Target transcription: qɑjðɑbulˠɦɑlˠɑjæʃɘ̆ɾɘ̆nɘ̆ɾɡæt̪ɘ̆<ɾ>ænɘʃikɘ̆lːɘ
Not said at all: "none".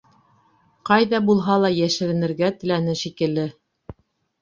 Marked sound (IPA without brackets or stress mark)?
l